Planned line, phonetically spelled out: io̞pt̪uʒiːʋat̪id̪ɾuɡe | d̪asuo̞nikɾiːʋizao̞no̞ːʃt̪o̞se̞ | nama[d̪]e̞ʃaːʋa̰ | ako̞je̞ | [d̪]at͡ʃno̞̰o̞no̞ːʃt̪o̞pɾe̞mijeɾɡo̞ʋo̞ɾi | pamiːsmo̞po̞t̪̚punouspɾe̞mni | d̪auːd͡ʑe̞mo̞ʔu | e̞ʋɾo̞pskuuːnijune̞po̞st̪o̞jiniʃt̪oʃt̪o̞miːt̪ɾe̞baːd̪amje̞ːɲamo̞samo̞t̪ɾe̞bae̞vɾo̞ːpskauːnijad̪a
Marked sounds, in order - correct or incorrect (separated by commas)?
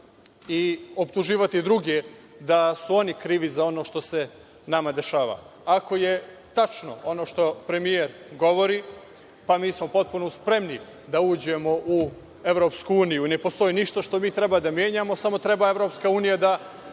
correct, incorrect